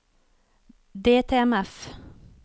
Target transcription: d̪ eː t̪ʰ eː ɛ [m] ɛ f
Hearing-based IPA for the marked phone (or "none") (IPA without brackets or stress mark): m